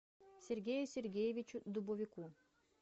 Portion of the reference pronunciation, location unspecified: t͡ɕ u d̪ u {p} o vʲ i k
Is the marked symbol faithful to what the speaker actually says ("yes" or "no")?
no